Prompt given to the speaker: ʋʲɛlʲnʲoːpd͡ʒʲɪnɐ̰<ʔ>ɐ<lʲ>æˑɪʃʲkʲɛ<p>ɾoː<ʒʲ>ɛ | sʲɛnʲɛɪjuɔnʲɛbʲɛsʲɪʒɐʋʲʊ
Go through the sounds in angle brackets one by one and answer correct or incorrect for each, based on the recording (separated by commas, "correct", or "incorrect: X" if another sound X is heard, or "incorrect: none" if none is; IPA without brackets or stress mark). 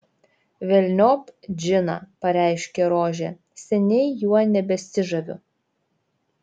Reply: incorrect: p, incorrect: ɾʲ, incorrect: none, correct